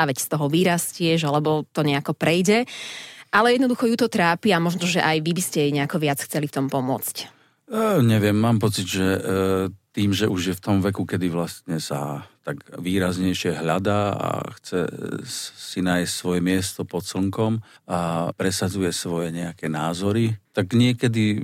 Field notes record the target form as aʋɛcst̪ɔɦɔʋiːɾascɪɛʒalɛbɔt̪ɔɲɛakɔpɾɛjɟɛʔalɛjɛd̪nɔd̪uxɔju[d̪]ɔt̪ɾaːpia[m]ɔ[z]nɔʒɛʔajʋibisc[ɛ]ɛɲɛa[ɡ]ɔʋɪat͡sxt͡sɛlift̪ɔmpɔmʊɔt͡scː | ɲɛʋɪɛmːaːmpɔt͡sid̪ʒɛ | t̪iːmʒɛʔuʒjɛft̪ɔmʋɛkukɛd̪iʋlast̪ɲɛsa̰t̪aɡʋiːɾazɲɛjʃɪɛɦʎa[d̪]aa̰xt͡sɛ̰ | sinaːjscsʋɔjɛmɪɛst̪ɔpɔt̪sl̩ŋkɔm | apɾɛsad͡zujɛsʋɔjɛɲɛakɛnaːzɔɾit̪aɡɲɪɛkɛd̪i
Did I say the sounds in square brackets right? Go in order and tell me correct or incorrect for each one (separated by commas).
incorrect, correct, incorrect, correct, incorrect, correct